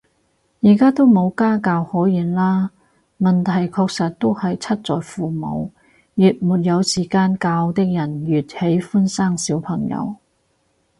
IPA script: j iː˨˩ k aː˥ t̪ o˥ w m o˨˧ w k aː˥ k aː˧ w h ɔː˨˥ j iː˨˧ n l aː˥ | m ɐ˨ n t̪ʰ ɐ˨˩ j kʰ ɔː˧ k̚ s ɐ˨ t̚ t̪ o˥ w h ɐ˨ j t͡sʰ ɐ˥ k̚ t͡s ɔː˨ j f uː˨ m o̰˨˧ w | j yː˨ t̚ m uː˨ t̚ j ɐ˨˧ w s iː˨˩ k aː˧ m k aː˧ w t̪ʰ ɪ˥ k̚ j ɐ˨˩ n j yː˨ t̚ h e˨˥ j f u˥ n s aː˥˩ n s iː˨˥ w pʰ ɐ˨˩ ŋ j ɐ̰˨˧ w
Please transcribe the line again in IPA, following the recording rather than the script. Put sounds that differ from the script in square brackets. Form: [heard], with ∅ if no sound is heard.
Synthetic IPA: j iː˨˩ k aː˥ t̪ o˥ w m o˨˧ w k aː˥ k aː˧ w h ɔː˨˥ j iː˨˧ n l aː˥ | m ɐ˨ n t̪ʰ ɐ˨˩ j kʰ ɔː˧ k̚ s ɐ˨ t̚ t̪ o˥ w h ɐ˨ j t͡sʰ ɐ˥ [t̚] t͡s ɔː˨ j f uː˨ m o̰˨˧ w | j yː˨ t̚ m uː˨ t̚ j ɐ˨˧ w s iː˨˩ k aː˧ [n] k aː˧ w [t̪] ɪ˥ k̚ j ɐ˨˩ n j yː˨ t̚ h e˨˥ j f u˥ n s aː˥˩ [ŋ] s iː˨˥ w pʰ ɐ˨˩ ŋ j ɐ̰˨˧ w